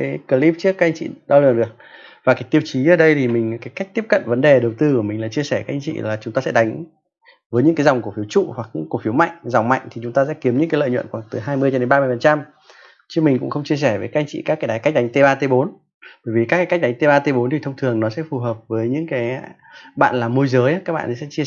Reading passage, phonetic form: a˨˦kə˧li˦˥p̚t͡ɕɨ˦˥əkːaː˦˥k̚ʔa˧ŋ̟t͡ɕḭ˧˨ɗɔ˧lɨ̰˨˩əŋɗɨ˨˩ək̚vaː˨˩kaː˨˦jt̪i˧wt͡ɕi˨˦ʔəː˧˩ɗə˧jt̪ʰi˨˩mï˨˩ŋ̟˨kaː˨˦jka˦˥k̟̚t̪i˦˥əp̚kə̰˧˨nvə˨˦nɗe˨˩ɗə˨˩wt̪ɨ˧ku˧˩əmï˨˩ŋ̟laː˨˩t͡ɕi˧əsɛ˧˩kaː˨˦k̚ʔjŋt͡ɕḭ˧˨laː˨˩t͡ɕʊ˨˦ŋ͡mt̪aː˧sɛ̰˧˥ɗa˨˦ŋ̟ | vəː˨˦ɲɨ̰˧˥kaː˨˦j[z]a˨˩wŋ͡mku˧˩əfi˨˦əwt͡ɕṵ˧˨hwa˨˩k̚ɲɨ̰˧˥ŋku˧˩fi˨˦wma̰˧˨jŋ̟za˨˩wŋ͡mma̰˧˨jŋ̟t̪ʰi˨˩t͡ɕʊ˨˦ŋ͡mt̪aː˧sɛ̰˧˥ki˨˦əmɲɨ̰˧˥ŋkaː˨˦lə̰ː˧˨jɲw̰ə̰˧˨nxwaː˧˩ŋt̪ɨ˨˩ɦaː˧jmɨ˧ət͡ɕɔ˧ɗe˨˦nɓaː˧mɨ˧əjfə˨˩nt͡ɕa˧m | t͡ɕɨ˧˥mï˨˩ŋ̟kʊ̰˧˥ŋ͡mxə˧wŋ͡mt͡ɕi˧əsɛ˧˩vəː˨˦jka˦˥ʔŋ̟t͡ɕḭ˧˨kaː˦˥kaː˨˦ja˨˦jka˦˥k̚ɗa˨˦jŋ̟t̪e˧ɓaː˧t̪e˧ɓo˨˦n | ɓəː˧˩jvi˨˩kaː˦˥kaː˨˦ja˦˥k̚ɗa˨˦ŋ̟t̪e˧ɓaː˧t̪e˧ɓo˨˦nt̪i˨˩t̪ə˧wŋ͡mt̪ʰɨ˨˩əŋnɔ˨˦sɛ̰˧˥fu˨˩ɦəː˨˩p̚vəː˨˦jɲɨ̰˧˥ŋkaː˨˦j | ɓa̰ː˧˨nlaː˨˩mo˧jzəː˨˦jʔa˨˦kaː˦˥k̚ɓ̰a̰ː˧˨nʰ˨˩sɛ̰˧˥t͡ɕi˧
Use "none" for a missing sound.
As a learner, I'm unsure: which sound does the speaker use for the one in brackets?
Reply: z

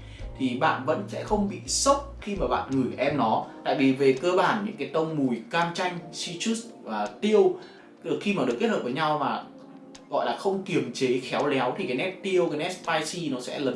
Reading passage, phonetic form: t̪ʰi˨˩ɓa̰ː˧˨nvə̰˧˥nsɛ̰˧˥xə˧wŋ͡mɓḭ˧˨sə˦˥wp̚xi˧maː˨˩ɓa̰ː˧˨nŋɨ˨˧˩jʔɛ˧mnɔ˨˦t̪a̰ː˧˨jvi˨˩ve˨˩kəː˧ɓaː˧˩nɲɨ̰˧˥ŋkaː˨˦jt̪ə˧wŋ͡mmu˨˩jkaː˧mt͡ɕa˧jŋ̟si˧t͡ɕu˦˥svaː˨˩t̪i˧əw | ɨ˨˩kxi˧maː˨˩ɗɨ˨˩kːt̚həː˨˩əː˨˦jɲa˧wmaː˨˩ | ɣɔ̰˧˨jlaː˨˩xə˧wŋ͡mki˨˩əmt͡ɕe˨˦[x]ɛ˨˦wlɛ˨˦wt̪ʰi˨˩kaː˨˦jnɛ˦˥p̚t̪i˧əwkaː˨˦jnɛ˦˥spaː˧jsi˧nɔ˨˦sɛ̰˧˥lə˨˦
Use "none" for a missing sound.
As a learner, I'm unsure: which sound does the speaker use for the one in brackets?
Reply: x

